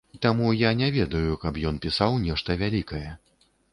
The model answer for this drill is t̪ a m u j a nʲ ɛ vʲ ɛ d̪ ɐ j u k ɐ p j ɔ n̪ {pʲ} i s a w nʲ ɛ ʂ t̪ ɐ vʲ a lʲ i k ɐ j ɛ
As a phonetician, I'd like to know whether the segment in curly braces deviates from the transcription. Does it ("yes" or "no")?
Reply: no